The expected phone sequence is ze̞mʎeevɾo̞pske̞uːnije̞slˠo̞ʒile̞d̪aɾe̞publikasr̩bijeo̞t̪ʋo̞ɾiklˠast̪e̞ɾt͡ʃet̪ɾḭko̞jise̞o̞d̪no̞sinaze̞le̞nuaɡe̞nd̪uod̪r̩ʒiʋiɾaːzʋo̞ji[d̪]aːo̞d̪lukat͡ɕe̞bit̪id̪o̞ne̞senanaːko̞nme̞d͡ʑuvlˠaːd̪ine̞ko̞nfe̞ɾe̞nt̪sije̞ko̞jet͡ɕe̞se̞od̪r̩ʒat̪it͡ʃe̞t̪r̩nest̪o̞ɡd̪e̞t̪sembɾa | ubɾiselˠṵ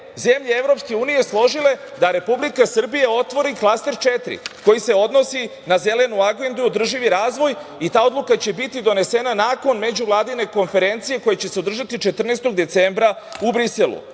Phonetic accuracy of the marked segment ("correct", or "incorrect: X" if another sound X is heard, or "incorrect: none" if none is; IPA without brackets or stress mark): incorrect: t̪